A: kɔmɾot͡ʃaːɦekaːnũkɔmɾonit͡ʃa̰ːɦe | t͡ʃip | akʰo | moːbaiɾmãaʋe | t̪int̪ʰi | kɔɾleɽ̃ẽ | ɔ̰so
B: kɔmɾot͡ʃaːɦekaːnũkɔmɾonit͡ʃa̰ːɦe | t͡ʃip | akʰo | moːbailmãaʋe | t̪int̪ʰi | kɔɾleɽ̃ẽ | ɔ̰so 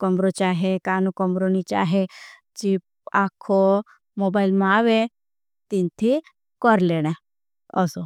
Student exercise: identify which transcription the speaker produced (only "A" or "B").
B